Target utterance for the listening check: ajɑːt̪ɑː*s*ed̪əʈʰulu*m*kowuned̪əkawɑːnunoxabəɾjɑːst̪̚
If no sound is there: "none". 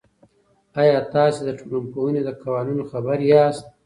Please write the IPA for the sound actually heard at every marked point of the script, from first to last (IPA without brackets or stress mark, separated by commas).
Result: s, m